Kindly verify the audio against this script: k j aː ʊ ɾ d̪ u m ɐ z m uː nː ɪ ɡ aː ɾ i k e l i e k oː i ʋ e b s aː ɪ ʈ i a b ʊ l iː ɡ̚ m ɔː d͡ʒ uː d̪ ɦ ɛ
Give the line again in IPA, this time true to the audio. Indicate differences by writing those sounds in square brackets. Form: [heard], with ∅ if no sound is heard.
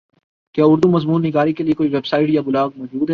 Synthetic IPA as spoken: k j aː ʊ ɾ d̪ u m ɐ z m uː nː ɪ ɡ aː ɾ i k e l i e k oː i ʋ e b s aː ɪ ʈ [j] a b ʊ l [aː] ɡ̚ m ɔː d͡ʒ uː d̪ ɦ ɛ